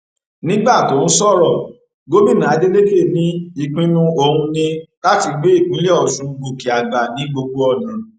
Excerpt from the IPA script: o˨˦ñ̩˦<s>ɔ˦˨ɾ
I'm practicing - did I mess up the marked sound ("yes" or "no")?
no